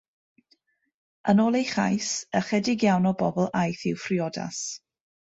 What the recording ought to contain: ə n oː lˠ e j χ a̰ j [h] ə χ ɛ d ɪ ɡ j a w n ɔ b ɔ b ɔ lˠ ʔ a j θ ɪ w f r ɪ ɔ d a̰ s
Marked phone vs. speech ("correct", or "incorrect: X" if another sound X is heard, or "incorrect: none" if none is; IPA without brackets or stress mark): incorrect: s